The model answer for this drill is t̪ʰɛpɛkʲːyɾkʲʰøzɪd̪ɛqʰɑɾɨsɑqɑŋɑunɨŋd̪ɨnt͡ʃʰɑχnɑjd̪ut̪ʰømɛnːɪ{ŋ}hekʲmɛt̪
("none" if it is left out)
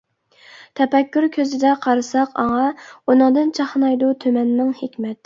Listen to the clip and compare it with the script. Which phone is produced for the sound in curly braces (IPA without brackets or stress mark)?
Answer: ŋ